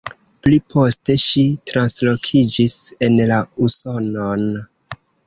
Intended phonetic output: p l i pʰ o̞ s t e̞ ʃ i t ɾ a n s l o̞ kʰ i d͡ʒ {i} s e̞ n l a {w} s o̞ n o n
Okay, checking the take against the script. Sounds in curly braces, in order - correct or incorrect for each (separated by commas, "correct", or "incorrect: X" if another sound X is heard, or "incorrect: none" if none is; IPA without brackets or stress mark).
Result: correct, incorrect: u